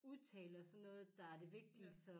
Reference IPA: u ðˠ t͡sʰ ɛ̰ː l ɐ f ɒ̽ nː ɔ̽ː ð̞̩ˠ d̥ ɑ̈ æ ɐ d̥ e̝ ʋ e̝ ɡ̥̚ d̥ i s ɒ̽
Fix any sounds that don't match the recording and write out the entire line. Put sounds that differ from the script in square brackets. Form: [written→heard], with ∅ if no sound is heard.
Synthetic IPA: u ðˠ t͡sʰ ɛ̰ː l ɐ [f→s] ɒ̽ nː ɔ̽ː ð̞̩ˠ d̥ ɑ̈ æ ɐ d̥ e̝ ʋ e̝ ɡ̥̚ d̥ i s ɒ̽